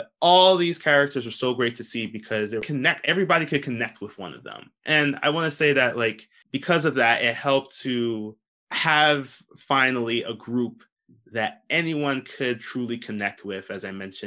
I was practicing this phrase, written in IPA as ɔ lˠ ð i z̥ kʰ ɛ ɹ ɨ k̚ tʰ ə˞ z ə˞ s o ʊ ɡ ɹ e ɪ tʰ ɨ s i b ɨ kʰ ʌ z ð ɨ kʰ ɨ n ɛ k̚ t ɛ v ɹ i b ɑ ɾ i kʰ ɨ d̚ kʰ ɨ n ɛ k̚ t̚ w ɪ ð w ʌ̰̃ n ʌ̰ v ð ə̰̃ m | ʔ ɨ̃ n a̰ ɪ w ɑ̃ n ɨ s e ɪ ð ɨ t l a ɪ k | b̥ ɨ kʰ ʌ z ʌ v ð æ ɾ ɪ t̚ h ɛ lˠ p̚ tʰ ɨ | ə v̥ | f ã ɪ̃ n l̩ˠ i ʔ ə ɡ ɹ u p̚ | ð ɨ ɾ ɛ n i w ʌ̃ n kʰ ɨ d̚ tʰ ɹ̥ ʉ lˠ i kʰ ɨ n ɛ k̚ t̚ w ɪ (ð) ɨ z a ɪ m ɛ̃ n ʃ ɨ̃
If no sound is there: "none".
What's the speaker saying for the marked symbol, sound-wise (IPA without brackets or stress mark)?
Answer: ð